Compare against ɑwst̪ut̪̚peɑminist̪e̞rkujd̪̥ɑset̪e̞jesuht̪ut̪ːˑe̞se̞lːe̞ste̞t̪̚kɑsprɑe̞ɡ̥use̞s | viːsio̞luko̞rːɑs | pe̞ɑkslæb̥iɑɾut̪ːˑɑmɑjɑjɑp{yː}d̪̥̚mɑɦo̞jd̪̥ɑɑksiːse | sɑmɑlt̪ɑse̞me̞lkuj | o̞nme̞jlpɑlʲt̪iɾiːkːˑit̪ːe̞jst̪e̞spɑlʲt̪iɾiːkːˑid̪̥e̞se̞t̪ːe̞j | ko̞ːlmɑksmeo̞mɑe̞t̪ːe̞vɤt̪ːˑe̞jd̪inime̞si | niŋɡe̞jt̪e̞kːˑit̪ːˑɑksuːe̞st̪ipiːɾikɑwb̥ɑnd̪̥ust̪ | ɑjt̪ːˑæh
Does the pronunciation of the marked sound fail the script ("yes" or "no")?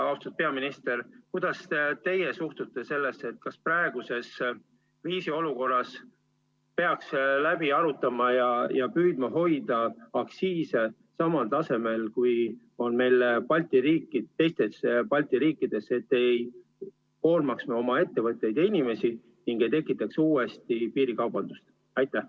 no